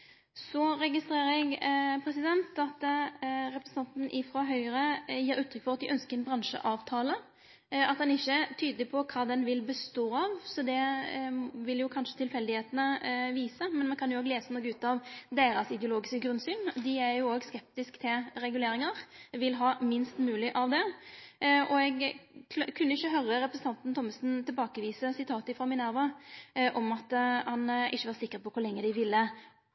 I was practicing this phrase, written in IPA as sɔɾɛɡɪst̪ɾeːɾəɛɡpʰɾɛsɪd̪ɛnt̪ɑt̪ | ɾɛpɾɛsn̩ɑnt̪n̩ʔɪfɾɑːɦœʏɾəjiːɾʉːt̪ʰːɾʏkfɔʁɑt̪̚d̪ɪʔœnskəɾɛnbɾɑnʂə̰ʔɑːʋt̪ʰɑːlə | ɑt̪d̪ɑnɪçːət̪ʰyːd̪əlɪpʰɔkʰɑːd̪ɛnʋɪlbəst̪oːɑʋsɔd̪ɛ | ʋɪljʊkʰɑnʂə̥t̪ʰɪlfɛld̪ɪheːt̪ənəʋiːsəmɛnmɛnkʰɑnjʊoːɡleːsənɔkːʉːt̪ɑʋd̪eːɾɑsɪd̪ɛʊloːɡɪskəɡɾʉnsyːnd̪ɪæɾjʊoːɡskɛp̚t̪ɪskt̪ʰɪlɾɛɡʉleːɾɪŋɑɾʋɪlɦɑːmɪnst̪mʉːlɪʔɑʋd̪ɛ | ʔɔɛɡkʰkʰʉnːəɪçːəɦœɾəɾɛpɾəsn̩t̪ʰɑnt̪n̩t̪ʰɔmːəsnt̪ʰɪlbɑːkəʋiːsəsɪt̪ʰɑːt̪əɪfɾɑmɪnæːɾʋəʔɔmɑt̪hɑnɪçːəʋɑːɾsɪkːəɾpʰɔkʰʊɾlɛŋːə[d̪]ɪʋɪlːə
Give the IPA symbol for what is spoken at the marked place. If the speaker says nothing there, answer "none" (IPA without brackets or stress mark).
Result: d̪